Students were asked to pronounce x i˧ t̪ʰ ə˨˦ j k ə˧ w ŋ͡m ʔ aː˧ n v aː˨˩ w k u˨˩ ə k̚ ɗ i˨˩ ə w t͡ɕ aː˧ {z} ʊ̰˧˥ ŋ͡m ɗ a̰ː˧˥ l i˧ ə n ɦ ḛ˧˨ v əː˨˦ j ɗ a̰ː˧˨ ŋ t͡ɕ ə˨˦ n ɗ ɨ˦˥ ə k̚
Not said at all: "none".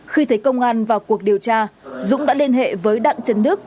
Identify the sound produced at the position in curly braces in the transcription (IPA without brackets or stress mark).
z